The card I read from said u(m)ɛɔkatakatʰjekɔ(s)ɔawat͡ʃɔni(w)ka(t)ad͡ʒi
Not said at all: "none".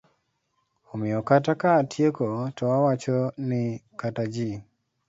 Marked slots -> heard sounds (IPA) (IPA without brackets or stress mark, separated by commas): m, t, none, t